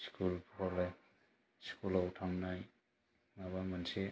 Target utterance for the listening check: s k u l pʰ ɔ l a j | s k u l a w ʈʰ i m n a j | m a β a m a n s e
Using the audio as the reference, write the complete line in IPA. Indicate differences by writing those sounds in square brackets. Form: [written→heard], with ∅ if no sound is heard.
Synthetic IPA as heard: s k u l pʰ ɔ l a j | s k u l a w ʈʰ [i→a] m n a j | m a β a m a n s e